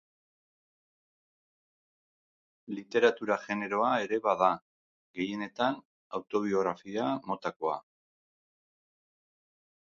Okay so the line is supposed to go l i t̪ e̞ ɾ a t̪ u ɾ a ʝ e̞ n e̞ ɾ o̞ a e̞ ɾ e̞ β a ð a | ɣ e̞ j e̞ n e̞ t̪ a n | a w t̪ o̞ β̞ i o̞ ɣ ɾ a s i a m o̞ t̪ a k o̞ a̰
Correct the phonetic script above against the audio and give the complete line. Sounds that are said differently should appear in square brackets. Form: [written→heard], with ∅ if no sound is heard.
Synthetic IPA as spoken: l i t̪ e̞ ɾ a t̪ u ɾ a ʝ e̞ n e̞ ɾ o̞ a e̞ ɾ e̞ β a ð a | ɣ e̞ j e̞ n e̞ t̪ a n | a w t̪ o̞ β̞ i o̞ ɣ ɾ a [s→f] i a m o̞ t̪ a k o̞ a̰

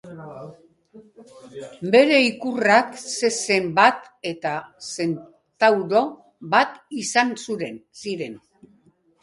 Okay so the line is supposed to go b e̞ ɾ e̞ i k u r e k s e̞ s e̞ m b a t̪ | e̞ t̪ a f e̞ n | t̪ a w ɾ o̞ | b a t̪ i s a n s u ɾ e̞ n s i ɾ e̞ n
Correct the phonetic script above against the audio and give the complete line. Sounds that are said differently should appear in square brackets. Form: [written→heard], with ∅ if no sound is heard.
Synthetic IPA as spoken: b e̞ ɾ e̞ i k u r [e→a] k s e̞ s e̞ m b a t̪ | e̞ t̪ a [f→s] e̞ n | t̪ a w ɾ o̞ | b a t̪ i s a n s u ɾ e̞ n s i ɾ e̞ n

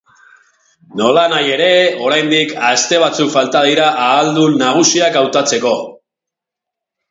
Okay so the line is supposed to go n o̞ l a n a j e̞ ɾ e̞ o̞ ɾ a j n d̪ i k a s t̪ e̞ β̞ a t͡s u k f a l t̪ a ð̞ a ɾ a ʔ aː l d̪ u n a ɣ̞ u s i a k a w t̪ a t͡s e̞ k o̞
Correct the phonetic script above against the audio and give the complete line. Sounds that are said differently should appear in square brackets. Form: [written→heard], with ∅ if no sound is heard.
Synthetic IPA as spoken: n o̞ l a n a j e̞ ɾ e̞ o̞ ɾ a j n d̪ i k a s t̪ e̞ β̞ a t͡s u k f a l t̪ a ð̞ [a→i] ɾ a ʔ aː l d̪ u n a ɣ̞ u s i a k a w t̪ a t͡s e̞ k o̞

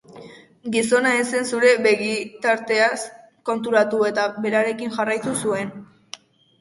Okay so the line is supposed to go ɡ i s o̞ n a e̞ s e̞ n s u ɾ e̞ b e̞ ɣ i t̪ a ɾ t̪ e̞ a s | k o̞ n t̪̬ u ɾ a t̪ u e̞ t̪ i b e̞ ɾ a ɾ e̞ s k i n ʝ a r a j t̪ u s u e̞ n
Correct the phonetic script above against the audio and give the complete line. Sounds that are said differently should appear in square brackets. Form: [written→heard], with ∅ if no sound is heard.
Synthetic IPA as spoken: ɡ i s o̞ n a e̞ s e̞ n s u ɾ e̞ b e̞ ɣ i t̪ a ɾ t̪ e̞ a s | k o̞ n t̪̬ u ɾ a t̪ u e̞ t̪ [i→a] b e̞ ɾ a ɾ e̞ [s→∅] k i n ʝ a r a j t̪ u s u e̞ n

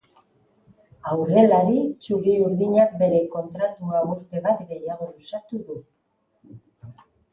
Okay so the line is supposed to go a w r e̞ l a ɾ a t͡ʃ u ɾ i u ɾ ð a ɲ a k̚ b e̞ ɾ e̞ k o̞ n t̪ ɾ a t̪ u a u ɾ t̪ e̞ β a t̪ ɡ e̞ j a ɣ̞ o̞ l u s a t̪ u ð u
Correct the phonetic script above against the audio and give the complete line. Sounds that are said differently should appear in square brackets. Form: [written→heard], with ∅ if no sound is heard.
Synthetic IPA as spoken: a w r e̞ l a ɾ [a→i] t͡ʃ u ɾ i u ɾ ð [a→i] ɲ a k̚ b e̞ ɾ e̞ k o̞ n t̪ ɾ a t̪ u a u ɾ t̪ e̞ β a t̪ ɡ e̞ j a ɣ̞ o̞ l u s a t̪ u ð u

